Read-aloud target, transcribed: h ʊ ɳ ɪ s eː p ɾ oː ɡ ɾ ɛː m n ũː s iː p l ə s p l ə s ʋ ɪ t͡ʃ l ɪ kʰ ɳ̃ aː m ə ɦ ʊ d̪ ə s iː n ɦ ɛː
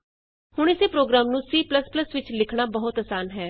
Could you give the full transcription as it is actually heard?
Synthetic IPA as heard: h ʊ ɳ ɪ s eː p ɾ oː ɡ ɾ aː m n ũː s iː p l ə s p l ə s ʋ ɪ t͡ʃ l ɪ kʰ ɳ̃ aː b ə ɦ ʊ t̪ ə s aː n ɦ ɛː